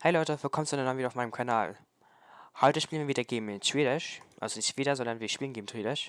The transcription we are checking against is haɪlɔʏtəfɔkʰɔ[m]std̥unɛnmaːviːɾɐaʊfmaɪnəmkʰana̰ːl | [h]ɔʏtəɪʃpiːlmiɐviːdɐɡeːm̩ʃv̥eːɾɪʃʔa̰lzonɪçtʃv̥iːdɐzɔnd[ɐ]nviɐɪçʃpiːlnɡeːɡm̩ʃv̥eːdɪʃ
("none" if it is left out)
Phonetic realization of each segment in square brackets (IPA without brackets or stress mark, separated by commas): m, h, ɐ